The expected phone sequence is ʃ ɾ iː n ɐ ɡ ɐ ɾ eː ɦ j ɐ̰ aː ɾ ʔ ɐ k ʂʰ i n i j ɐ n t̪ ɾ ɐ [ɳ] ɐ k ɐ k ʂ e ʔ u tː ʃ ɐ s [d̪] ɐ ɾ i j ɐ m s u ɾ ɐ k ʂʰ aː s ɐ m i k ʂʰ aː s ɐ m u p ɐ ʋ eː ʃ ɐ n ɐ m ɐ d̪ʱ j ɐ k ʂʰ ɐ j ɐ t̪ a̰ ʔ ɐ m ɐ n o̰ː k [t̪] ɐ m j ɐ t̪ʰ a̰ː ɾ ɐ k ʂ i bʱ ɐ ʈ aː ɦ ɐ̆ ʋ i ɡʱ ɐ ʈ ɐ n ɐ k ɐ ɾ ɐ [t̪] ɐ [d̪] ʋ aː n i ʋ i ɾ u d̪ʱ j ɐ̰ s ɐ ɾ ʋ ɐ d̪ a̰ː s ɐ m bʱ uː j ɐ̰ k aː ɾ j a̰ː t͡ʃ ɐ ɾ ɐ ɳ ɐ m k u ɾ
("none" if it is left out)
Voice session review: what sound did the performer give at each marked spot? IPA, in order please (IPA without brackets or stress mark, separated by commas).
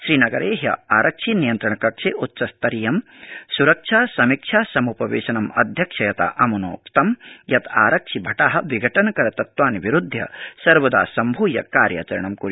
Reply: ɳ, t̪, t̪, t̪, t̪